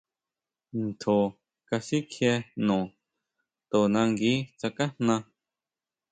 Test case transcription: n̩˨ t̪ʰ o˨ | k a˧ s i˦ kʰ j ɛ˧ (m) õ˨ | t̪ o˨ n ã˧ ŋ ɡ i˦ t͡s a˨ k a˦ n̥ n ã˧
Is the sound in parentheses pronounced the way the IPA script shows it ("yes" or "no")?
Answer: no